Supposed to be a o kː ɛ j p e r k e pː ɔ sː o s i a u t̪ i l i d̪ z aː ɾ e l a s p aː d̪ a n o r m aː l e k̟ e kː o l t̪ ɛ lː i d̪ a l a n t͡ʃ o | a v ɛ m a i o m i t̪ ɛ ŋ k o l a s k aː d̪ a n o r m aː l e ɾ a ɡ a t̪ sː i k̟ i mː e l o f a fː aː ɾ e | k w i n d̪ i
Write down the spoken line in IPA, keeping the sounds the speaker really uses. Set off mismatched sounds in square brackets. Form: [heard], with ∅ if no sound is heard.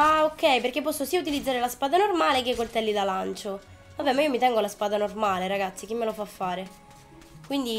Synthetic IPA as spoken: a o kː ɛ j p e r k e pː ɔ sː o s i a u t̪ i l i d̪ z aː ɾ e l a s p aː d̪ a n o r m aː l e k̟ e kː o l t̪ ɛ lː i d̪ a l a n t͡ʃ o | a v ɛ m a i o m i t̪ ɛ ŋ [ɡ] o l a s [p] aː d̪ a n o r m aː l e ɾ a ɡ a t̪ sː i k̟ i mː e l o f a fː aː ɾ e | k w i n d̪ i